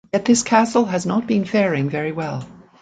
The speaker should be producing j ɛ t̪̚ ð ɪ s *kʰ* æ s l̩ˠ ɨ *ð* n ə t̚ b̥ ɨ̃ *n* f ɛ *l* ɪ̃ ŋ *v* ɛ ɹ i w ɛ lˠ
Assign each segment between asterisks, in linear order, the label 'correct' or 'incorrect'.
correct, incorrect: z, correct, incorrect: ɹ, correct

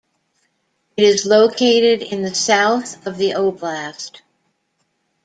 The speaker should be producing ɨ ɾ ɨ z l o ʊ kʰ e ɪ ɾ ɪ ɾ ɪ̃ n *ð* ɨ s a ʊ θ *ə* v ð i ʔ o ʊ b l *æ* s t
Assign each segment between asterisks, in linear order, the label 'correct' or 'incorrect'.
correct, incorrect: ʌ, correct

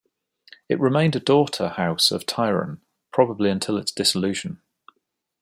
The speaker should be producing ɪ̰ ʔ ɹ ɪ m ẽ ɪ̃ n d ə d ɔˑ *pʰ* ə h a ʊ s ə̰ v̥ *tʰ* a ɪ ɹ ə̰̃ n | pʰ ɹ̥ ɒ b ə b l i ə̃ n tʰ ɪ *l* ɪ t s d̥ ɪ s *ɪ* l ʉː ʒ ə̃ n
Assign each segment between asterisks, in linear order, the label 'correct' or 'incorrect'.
incorrect: tʰ, correct, correct, correct

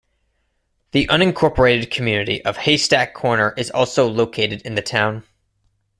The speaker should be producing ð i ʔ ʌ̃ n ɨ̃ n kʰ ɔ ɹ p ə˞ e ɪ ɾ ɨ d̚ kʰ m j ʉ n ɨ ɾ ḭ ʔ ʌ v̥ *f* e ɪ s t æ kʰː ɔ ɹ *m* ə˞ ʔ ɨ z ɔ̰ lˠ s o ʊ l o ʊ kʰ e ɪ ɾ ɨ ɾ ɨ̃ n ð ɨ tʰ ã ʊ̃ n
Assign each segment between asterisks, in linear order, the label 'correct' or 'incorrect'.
incorrect: h, incorrect: n

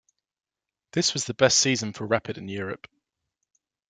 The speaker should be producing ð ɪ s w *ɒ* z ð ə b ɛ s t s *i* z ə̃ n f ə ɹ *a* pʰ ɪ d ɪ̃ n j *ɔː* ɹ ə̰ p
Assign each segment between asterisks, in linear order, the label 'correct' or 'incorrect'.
correct, incorrect: iː, correct, correct

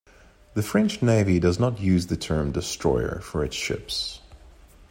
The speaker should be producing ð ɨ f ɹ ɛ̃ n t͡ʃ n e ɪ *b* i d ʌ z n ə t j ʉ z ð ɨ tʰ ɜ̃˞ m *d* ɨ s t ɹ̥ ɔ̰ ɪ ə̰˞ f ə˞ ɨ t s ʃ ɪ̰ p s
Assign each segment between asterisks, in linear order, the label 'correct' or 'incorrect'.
incorrect: v, correct

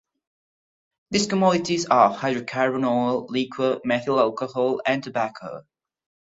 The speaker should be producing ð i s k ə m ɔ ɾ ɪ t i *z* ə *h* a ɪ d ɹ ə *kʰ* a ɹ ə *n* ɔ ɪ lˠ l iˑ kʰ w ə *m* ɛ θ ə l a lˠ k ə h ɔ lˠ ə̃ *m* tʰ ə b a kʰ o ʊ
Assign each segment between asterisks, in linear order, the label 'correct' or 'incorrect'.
correct, correct, correct, correct, correct, incorrect: n

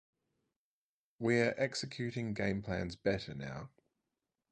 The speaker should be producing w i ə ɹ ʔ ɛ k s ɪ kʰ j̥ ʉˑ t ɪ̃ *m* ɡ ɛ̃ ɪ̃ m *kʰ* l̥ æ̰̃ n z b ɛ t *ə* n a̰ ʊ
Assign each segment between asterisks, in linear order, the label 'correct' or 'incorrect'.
incorrect: ŋ, incorrect: pʰ, correct

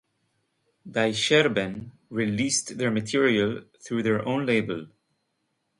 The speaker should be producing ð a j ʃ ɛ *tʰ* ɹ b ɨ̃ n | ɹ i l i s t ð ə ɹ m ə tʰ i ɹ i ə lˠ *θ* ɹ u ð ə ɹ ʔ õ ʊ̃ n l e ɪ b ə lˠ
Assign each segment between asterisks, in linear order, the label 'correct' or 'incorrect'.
incorrect: none, correct

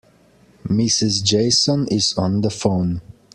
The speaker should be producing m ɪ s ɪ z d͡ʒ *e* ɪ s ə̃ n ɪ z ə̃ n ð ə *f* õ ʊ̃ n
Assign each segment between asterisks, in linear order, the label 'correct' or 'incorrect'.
correct, correct

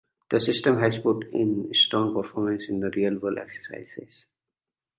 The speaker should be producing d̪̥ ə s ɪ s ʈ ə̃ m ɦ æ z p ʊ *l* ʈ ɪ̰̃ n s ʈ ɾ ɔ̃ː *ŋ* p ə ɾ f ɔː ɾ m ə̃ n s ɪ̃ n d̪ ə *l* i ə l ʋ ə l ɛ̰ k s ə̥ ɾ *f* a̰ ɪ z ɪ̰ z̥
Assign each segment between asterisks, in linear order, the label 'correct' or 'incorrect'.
incorrect: none, correct, incorrect: ɾ, incorrect: s

